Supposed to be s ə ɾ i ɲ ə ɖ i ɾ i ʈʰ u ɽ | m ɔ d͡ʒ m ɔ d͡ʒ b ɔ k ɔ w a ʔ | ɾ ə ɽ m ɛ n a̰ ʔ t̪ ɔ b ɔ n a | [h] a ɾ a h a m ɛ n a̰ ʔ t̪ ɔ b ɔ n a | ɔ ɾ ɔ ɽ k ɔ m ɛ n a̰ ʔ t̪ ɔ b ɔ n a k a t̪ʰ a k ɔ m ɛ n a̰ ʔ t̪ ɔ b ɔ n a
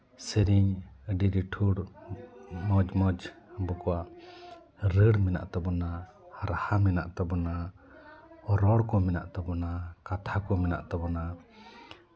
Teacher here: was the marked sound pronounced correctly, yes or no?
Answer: yes